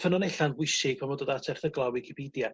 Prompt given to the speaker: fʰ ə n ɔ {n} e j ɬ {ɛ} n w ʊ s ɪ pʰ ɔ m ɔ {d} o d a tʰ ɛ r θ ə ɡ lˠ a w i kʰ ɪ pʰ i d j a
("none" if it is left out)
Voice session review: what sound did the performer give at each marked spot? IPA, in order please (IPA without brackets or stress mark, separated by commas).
n, a, d